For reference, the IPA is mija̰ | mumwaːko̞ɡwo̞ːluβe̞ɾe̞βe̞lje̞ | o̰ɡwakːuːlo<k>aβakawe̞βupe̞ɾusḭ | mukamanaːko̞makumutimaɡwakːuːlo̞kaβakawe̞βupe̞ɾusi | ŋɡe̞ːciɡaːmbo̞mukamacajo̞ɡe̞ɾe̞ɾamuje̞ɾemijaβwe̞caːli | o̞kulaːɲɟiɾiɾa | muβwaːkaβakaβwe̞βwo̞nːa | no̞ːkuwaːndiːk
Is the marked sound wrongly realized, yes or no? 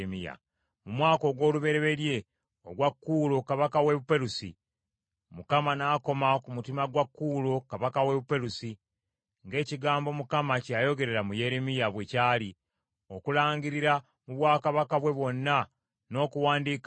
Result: no